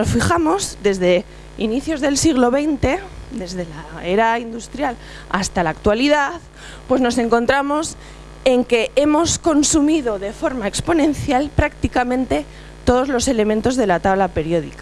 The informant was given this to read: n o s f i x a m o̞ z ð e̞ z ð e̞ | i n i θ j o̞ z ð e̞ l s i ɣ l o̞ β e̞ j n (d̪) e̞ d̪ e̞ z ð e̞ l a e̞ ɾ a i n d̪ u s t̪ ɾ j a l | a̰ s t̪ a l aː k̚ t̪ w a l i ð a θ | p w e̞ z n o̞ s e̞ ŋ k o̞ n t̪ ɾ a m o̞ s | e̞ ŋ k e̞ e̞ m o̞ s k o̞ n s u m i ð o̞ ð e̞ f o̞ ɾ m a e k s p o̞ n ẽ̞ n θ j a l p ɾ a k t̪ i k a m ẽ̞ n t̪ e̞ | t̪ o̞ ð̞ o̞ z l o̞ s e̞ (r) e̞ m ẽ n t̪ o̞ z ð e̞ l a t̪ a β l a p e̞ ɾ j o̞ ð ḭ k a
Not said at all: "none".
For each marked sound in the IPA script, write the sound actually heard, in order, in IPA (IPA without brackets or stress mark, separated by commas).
t̪, l